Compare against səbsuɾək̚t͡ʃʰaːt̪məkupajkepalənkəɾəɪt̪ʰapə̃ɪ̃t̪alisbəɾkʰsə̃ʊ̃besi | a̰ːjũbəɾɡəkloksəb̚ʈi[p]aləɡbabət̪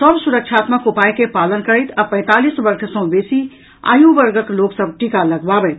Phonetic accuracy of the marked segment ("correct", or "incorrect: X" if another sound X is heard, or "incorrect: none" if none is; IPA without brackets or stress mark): incorrect: k